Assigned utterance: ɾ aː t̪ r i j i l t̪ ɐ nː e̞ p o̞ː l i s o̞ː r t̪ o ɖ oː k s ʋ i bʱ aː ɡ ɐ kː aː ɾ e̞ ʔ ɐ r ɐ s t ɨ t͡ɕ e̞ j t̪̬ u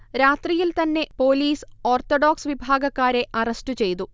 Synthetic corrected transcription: ɾ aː t̪ r i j i l t̪ ɐ nː e̞ p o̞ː l iː s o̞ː r t̪ o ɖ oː k s ʋ i bʱ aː ɡ ɐ kː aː ɾ e̞ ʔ ɐ r ɐ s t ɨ t͡ɕ e̞ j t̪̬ u